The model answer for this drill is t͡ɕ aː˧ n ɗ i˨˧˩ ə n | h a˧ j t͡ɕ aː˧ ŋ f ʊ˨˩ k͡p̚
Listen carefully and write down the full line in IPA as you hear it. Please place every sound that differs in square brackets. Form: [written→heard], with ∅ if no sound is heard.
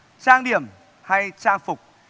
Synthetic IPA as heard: t͡ɕ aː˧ [n→ŋ] ɗ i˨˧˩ ə [n→m] | h a˧ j t͡ɕ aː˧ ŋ f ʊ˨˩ k͡p̚

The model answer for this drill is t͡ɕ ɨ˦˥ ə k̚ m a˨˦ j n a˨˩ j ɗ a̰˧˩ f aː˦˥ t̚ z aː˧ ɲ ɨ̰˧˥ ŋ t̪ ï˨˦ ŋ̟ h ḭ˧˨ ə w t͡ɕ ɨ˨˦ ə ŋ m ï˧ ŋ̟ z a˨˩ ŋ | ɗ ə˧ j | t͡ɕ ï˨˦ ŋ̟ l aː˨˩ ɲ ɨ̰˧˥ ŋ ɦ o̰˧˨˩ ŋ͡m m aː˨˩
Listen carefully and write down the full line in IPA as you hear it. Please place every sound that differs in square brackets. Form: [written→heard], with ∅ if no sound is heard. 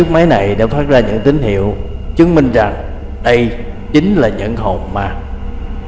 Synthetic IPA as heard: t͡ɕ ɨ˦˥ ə k̚ m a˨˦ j n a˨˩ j ɗ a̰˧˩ f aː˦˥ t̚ z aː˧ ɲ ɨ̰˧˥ ŋ t̪ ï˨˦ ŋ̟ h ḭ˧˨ ə w t͡ɕ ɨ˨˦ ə ŋ m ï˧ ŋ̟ z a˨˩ ŋ | ɗ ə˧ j | t͡ɕ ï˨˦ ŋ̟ l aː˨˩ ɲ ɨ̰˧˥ ŋ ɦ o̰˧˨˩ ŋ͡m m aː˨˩

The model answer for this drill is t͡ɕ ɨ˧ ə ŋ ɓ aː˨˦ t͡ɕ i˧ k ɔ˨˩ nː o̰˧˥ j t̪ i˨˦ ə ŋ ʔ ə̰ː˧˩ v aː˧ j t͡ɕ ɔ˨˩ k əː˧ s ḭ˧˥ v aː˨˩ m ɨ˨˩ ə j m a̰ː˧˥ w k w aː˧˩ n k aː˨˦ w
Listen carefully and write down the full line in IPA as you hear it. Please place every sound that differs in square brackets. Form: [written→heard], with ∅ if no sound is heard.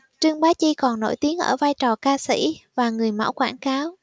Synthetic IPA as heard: t͡ɕ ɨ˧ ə ŋ ɓ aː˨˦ t͡ɕ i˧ k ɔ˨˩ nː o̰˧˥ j t̪ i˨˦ ə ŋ ʔ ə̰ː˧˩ v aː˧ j t͡ɕ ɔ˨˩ k [əː˧→aː˧] s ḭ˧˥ v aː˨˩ [m→ŋ] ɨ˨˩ ə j m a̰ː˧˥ w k w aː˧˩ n k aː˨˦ w

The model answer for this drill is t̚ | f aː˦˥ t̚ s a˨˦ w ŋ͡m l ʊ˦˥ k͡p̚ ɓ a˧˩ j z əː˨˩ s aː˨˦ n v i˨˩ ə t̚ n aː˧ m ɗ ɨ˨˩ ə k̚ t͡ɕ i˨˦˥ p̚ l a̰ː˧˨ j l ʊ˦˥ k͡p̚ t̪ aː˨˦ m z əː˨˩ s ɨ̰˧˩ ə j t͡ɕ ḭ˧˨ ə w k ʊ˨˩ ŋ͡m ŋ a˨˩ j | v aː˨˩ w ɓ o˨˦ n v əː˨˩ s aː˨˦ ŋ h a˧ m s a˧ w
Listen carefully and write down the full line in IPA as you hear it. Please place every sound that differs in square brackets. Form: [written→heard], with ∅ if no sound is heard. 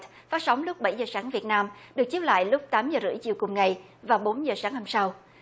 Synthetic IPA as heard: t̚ | f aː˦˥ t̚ s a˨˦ w ŋ͡m l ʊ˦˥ k͡p̚ ɓ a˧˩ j z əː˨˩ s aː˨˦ [n→ŋ] v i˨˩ ə t̚ n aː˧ m ɗ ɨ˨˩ ə k̚ t͡ɕ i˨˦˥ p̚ l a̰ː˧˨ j l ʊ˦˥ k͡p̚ t̪ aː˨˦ m z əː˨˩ [s→z] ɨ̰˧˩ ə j t͡ɕ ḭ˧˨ ə w k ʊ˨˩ ŋ͡m ŋ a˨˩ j | v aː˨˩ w ɓ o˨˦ n [v→z] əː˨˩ s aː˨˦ ŋ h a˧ m s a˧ w

